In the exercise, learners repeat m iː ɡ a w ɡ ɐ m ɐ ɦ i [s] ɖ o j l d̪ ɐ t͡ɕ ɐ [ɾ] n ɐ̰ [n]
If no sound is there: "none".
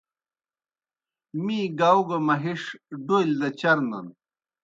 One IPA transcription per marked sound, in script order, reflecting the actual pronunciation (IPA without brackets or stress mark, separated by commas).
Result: ʂ, ɾ, n